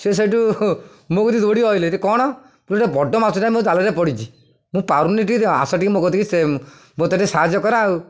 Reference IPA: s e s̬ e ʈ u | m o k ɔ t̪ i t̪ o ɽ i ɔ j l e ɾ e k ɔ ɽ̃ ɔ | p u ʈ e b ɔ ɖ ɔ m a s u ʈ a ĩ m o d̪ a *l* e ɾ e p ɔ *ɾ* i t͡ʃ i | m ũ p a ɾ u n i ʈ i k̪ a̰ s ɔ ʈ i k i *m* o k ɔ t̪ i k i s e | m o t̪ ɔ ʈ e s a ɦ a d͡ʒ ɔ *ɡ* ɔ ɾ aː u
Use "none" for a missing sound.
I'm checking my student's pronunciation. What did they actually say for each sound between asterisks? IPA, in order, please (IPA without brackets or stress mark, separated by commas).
l, ɽ, m, k